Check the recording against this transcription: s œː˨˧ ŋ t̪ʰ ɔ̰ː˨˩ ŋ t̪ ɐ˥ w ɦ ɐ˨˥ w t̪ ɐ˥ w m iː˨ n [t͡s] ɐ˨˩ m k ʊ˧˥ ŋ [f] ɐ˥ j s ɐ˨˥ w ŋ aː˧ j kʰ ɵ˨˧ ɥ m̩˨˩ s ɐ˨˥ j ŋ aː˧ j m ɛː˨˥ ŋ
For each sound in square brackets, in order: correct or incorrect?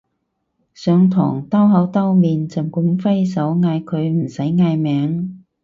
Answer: correct, correct

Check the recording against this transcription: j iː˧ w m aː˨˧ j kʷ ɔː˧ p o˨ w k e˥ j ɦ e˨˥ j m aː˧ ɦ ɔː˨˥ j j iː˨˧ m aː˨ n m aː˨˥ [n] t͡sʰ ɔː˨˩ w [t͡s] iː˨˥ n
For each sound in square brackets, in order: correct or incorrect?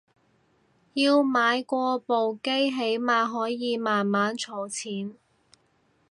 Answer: correct, incorrect: t͡sʰ

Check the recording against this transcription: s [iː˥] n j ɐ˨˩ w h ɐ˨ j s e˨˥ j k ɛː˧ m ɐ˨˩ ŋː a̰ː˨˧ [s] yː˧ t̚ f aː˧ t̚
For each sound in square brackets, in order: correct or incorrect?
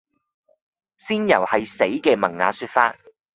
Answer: correct, correct

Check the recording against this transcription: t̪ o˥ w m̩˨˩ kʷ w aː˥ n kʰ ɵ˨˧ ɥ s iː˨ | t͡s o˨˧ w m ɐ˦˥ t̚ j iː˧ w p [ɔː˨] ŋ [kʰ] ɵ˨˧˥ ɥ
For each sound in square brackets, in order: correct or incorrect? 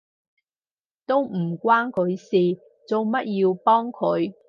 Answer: incorrect: ɔː˥, correct

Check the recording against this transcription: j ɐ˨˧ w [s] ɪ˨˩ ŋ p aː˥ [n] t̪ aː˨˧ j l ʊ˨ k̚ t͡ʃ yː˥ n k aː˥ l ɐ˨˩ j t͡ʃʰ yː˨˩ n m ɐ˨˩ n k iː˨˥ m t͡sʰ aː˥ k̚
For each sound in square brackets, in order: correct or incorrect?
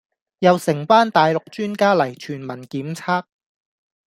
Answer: correct, correct

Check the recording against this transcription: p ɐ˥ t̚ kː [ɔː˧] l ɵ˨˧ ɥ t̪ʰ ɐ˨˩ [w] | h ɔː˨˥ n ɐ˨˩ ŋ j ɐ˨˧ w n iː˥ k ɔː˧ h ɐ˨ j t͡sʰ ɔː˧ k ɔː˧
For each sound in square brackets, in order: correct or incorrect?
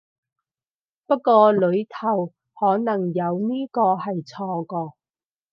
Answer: correct, correct

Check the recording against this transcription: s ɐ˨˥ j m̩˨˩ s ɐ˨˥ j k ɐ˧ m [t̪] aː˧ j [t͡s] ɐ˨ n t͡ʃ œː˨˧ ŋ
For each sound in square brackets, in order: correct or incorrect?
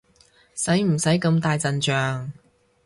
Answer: correct, correct

